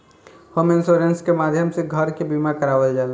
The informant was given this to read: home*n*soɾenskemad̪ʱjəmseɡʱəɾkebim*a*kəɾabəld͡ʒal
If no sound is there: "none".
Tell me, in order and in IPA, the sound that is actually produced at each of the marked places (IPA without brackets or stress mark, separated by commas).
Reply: n, a